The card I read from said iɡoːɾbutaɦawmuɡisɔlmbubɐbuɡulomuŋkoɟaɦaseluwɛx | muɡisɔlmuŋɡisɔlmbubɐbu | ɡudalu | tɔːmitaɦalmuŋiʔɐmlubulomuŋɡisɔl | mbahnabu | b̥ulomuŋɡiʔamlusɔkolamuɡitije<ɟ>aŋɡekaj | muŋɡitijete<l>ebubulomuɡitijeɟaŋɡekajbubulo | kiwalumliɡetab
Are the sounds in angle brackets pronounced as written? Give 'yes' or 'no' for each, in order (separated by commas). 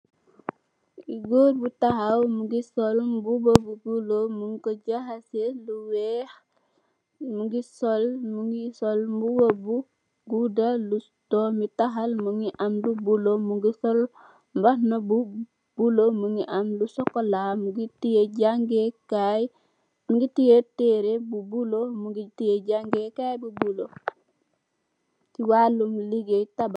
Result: yes, no